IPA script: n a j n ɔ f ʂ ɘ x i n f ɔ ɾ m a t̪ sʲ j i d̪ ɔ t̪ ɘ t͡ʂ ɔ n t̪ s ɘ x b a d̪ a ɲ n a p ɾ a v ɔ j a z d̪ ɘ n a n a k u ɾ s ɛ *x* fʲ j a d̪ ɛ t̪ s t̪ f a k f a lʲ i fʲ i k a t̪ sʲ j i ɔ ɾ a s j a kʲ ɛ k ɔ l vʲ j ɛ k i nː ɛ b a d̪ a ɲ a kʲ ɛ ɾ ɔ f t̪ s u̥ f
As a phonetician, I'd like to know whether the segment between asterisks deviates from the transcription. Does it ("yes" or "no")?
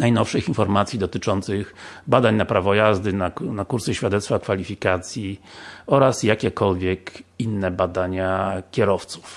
yes